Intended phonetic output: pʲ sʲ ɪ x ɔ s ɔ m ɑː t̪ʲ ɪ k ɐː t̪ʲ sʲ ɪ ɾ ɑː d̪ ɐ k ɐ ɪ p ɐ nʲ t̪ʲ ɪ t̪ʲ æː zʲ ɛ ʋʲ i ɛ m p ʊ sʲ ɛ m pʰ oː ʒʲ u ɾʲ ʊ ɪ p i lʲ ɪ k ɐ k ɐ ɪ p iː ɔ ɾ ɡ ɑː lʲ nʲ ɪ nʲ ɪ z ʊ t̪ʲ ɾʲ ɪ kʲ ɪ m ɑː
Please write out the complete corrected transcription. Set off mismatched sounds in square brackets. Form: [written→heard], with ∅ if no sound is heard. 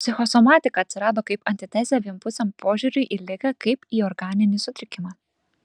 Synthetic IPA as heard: pʲ sʲ ɪ x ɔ s ɔ m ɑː t̪ʲ ɪ k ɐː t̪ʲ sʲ ɪ ɾ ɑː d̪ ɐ k ɐ ɪ p ɐ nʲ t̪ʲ ɪ t̪ʲ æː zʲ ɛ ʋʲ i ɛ m p ʊ sʲ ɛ m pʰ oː ʒʲ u ɾʲ ʊ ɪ [p→ʔ] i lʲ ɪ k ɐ k ɐ ɪ p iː ɔ ɾ ɡ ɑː [lʲ→∅] nʲ ɪ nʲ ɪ [z→s] ʊ t̪ʲ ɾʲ ɪ kʲ ɪ m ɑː